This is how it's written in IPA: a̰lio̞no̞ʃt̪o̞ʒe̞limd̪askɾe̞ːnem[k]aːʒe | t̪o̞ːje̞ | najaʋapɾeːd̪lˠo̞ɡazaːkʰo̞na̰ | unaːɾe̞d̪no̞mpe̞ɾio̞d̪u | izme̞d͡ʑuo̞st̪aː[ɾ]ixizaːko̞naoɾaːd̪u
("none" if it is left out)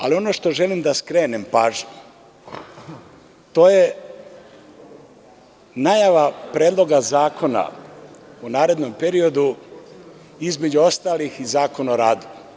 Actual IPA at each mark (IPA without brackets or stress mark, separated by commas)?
p, l